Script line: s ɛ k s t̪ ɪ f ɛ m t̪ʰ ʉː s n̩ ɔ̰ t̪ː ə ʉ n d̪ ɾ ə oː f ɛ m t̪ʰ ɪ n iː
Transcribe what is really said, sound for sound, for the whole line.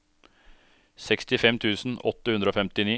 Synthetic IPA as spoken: s ɛ k s t̪ ɪ f ɛ m t̪ʰ ʉː s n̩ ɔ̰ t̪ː ə ʉ n d̪ ɾ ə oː f ɛ m t̪ ɪ n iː